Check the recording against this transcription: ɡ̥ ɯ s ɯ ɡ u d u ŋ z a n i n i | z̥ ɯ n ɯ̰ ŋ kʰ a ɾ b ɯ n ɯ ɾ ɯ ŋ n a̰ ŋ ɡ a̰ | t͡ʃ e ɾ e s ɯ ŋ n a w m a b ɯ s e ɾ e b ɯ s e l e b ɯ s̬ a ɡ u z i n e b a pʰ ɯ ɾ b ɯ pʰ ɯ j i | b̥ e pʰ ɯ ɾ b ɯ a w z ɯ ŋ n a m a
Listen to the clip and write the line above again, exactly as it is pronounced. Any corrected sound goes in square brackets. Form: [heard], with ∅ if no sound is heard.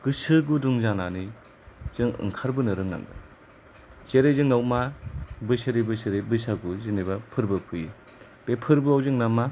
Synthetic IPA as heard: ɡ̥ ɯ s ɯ ɡ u d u ŋ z a n [a] n i | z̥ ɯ [ŋ] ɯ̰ ŋ kʰ a ɾ b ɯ n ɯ ɾ ɯ ŋ n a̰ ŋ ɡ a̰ | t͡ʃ e ɾ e [z] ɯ ŋ n a w m a b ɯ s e ɾ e b ɯ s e [ɾ] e b ɯ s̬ a ɡ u z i n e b a pʰ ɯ ɾ b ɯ pʰ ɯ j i | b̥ e pʰ ɯ ɾ b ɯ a w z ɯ ŋ n a m a

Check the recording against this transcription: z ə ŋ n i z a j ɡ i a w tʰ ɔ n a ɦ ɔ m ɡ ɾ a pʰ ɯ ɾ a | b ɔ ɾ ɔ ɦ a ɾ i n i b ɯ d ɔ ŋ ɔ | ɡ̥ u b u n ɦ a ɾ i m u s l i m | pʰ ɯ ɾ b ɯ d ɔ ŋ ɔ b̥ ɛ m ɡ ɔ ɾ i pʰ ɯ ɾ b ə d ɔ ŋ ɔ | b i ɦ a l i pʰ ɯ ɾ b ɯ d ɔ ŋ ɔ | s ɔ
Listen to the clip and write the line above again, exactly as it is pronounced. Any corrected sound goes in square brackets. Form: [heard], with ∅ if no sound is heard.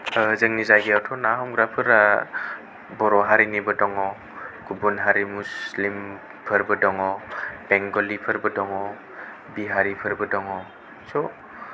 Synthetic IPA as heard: z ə ŋ n i z a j ɡ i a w tʰ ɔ n a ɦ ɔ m ɡ ɾ a pʰ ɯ ɾ a | b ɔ ɾ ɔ ɦ a ɾ i n i b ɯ d ɔ ŋ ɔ | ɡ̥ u b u n ɦ a ɾ i m u s l i m | pʰ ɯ ɾ b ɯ d ɔ ŋ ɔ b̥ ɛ [ŋ] ɡ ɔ [l] i pʰ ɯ ɾ b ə d ɔ ŋ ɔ | b i ɦ a [ɾ] i pʰ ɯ ɾ b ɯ d ɔ ŋ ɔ | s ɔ

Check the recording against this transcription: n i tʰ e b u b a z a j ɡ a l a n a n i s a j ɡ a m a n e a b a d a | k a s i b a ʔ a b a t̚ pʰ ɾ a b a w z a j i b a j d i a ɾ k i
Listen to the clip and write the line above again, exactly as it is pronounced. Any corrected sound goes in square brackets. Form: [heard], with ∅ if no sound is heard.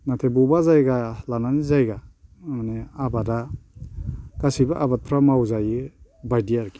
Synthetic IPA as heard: n [a] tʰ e b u b a z a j ɡ a l a n a n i [z] a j ɡ a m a n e a b a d a | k a s i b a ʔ a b a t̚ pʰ ɾ a [m] a w z a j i b a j d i a ɾ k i

